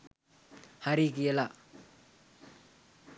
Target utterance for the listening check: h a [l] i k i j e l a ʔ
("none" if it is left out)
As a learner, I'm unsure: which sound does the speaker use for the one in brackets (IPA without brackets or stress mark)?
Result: ɾ